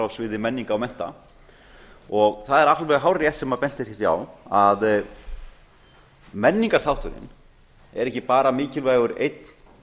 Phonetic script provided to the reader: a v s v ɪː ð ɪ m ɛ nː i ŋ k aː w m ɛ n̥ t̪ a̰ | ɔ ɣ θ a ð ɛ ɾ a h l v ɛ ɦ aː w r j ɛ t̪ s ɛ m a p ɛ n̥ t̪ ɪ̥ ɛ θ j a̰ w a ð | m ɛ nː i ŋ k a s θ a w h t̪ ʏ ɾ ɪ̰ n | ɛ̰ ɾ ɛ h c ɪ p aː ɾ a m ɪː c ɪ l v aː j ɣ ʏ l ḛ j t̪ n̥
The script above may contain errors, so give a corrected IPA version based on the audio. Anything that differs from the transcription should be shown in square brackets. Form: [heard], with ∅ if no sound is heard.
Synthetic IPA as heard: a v s v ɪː ð ɪ m ɛ nː i ŋ k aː w m ɛ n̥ t̪ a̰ | ɔ ɣ θ a ð ɛ ɾ a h l v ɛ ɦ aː w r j ɛ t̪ s ɛ m a p ɛ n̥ t̪ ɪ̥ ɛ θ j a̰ w a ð | m ɛ nː i ŋ k a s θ a w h t̪ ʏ ɾ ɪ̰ n | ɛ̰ ɾ ɛ h c ɪ p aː ɾ a m ɪː c ɪ l v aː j ɣ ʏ [ɾ] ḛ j t̪ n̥